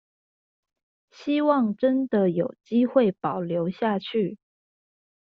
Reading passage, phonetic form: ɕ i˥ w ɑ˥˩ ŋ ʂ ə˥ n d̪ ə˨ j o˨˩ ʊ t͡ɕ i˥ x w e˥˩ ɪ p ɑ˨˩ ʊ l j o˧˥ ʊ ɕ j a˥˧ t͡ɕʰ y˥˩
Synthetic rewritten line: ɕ i˥ w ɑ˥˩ ŋ ʈ͡ʂ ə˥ n d̪ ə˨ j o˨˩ ʊ t͡ɕ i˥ x w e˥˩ ɪ p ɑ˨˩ ʊ l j o˧˥ ʊ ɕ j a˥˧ t͡ɕʰ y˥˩